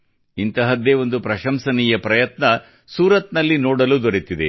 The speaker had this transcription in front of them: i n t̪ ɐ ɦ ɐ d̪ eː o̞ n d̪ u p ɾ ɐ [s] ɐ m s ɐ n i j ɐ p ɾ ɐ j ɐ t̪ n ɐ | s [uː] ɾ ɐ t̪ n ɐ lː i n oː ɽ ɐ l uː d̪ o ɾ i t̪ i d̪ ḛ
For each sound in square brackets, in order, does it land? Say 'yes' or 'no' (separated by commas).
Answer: no, yes